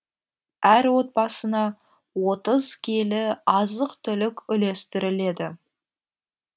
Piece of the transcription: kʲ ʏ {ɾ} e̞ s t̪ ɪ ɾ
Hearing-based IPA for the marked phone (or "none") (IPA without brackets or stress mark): l